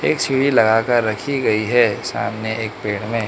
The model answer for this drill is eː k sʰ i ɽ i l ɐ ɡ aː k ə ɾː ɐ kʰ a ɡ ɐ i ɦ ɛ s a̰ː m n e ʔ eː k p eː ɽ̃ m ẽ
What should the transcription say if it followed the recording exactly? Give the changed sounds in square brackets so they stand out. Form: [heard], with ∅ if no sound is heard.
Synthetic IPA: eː k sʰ i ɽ i l ɐ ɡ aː k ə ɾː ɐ kʰ [i] ɡ ɐ i ɦ ɛ s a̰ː m n e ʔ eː k p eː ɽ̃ m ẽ